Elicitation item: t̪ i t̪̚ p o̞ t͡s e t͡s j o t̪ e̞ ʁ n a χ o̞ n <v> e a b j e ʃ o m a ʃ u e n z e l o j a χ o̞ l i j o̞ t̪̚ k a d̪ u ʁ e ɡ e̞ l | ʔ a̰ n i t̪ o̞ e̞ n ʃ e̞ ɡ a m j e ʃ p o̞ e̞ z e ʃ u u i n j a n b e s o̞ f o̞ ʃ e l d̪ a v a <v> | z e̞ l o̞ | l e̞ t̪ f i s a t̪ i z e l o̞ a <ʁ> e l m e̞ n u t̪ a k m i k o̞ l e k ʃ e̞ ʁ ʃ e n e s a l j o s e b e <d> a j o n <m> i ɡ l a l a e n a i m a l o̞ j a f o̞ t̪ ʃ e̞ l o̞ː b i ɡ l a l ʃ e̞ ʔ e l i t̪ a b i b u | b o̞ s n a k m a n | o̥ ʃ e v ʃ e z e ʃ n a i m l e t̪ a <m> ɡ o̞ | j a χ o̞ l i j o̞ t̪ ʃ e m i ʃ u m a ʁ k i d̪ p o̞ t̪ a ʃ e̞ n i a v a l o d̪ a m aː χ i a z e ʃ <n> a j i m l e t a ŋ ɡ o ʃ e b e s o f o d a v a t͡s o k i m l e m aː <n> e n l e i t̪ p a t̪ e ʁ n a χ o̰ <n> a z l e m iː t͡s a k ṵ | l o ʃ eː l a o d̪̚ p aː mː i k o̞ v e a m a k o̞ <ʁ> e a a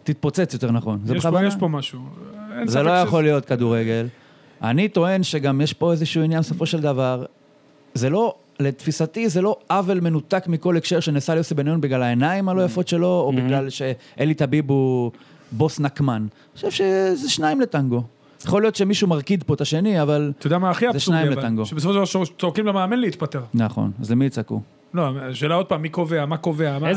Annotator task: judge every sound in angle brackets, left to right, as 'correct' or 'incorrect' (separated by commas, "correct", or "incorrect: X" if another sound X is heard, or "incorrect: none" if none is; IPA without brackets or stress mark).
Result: incorrect: z, incorrect: ʁ, incorrect: v, incorrect: n, incorrect: b, incorrect: ŋ, correct, incorrect: m, correct, incorrect: v